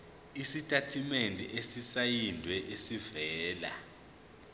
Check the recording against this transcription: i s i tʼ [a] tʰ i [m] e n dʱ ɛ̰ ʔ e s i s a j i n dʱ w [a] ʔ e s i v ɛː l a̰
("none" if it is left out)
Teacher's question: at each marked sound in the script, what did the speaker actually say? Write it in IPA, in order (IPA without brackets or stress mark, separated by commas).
a, m, ɛ